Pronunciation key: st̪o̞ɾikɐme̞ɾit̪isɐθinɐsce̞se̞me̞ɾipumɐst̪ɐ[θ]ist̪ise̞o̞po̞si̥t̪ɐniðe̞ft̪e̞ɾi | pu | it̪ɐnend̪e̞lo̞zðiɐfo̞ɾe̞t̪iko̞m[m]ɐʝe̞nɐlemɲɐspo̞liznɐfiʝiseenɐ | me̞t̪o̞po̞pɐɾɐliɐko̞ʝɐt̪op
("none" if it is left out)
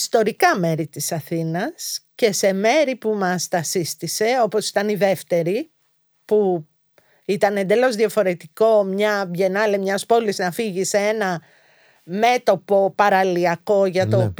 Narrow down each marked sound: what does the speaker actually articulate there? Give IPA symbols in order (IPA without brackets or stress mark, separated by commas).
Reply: s, ɲ